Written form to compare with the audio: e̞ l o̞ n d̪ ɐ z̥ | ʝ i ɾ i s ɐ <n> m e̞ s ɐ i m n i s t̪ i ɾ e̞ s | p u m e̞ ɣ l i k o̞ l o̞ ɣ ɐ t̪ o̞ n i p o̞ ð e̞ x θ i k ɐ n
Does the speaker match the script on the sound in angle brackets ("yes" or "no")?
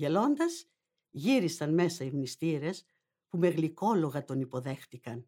yes